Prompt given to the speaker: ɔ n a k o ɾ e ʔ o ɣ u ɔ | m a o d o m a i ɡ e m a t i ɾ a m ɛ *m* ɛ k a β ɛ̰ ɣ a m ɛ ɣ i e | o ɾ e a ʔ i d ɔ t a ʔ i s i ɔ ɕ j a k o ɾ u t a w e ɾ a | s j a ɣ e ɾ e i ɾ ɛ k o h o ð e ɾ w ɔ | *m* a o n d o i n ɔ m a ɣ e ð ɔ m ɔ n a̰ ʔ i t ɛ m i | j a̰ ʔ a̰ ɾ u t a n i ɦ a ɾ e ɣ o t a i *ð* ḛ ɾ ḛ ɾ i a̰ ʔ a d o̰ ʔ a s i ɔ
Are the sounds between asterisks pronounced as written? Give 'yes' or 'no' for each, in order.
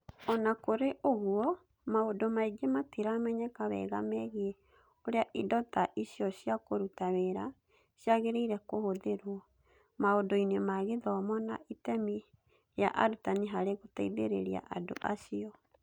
no, yes, yes

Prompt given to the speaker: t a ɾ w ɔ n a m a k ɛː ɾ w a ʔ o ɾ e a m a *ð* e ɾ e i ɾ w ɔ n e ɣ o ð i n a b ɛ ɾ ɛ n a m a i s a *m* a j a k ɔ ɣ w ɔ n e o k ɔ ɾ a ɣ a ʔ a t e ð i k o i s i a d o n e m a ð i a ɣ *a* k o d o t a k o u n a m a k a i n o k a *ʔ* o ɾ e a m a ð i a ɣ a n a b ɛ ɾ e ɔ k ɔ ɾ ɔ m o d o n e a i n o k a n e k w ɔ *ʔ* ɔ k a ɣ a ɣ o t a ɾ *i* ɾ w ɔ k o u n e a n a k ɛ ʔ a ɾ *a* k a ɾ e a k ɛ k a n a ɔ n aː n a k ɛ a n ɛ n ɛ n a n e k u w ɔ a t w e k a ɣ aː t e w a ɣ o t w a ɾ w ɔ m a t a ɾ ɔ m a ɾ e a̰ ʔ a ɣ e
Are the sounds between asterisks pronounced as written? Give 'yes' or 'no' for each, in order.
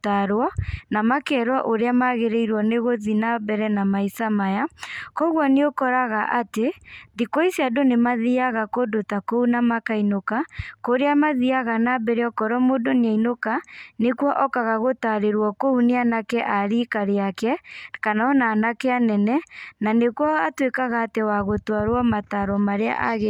no, yes, yes, no, yes, no, no

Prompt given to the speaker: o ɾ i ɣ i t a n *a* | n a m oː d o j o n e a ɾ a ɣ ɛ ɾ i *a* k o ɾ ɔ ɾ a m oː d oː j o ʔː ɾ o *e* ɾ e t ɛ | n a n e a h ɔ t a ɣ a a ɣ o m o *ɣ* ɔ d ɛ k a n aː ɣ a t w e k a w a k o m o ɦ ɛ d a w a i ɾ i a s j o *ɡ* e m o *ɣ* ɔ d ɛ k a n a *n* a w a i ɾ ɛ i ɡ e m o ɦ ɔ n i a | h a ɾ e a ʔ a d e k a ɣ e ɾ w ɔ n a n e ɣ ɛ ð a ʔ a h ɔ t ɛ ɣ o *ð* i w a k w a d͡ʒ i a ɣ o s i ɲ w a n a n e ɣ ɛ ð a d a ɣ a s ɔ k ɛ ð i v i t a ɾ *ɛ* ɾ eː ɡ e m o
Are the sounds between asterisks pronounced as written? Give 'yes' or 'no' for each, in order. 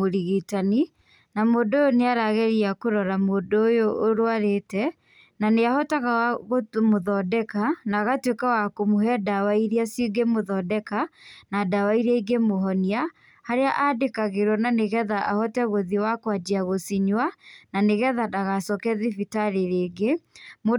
no, yes, no, no, yes, no, no, yes, no

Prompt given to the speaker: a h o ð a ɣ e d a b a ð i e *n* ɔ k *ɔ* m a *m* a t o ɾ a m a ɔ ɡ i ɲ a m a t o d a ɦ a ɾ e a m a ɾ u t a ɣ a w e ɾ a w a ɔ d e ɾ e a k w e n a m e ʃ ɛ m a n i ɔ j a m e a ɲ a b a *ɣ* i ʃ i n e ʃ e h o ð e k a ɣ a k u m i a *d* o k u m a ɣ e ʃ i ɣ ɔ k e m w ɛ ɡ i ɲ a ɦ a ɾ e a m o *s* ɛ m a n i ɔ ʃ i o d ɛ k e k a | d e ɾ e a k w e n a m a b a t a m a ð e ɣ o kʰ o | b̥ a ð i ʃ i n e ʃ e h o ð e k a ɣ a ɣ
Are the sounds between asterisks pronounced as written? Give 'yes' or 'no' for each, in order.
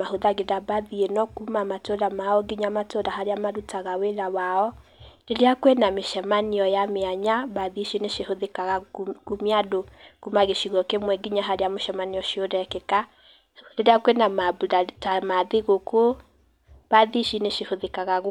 yes, no, yes, no, yes, no

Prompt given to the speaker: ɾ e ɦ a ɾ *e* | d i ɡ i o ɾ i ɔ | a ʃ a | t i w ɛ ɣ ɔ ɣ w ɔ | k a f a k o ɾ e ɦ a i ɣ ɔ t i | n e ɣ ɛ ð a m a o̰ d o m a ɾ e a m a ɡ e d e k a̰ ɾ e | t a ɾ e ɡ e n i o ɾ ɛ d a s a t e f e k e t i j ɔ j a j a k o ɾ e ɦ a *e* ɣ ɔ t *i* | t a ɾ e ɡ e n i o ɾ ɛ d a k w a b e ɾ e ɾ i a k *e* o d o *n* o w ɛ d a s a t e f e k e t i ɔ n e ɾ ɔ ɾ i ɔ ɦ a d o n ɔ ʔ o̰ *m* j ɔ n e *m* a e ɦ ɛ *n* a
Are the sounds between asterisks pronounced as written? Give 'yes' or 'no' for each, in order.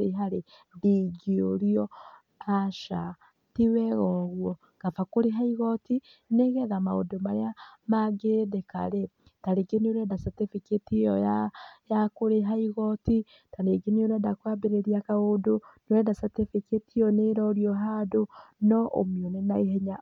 yes, no, yes, no, yes, yes, no, no

